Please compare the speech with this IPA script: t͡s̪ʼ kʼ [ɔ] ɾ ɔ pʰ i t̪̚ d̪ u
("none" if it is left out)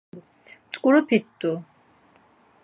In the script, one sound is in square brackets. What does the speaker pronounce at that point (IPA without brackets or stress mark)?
u